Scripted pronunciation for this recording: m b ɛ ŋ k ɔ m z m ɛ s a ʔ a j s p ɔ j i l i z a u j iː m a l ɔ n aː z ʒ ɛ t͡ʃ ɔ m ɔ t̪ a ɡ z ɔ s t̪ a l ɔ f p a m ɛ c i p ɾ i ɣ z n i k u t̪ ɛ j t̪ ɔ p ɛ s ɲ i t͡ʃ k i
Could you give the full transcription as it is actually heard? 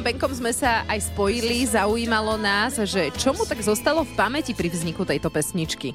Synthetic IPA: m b ɛ ŋ k ɔ m z m ɛ s a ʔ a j s p ɔ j i l i z a u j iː m a l ɔ n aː z ʒ ɛ t͡ʃ ɔ m u t̪ a ɡ z ɔ s t̪ a l ɔ f p a m ɛ c i p ɾ i v z ɲ i k u t̪ ɛ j t̪ ɔ p ɛ s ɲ i t͡ʃ k i